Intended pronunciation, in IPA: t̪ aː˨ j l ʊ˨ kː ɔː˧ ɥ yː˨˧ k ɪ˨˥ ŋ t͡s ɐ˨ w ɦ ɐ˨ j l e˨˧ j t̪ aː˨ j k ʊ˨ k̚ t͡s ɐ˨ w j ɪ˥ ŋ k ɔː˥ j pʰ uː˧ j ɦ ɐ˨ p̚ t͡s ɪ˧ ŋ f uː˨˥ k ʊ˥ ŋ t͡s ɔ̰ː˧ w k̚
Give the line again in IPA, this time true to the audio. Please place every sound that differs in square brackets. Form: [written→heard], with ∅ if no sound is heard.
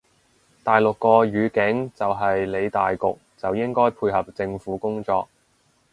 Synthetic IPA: t̪ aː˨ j l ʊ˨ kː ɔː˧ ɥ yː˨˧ k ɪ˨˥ ŋ t͡s ɐ˨ w ɦ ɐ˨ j l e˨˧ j t̪ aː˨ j k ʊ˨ k̚ t͡s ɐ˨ w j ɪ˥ ŋ k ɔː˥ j pʰ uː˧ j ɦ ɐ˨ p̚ t͡s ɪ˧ ŋ f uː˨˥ k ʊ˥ ŋ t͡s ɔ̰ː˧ [w→∅] k̚